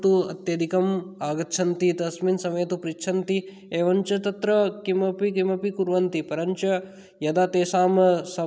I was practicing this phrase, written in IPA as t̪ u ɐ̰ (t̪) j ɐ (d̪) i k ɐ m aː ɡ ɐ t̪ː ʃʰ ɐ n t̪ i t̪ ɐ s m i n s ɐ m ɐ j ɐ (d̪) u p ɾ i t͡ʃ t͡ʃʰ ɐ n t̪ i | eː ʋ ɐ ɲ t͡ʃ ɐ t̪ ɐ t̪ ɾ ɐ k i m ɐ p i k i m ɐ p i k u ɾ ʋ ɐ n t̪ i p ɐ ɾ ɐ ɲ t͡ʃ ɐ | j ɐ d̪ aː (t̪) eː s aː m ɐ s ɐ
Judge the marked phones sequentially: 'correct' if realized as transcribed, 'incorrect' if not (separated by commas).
correct, correct, incorrect, correct